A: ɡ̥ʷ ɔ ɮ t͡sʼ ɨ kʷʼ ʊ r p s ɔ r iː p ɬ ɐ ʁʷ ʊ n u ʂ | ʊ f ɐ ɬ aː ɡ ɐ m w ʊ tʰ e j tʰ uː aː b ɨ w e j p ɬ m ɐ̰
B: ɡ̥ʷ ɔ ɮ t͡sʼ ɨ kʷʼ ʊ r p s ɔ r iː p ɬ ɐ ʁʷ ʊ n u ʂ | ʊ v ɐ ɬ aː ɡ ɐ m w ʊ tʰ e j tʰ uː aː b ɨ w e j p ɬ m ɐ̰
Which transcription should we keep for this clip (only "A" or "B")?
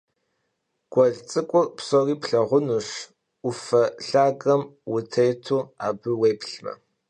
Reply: A